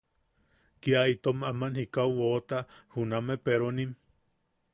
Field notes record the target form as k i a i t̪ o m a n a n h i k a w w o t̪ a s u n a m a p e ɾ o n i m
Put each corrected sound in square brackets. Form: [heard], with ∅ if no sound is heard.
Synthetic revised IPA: k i a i t̪ o m a [m] a n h i k a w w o t̪ a [h] u n a m [e] p e ɾ o n i m